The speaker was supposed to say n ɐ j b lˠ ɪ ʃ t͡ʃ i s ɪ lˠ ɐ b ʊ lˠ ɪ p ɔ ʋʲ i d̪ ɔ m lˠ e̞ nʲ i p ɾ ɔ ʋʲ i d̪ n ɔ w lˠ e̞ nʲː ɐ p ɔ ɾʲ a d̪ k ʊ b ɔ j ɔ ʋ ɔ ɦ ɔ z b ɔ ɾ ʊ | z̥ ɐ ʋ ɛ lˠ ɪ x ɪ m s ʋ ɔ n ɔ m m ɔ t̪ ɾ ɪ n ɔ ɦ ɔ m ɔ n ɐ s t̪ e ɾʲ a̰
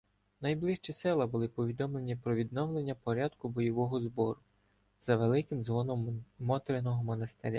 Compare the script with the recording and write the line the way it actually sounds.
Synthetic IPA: n ɐ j b lˠ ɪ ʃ t͡ʃ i s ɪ lˠ ɐ b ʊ lˠ ɪ p ɔ ʋʲ i d̪ ɔ m lˠ e̞ nʲ i p ɾ ɔ ʋʲ i d̪ n ɔ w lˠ e̞ nʲː ɐ p ɔ ɾʲ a d̪ k ʊ b ɔ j ɔ ʋ ɔ ɦ ɔ z b ɔ ɾ ʊ | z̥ ɐ ʋ e lˠ ɪ k ɪ m z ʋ ɔ n ɔ m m ɔ t̪ ɾ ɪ n ɔ ɦ ɔ m ɔ n ɐ s t̪ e ɾʲ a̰